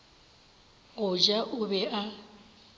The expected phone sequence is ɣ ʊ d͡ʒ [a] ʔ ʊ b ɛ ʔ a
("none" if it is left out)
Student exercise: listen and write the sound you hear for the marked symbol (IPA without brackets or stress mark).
a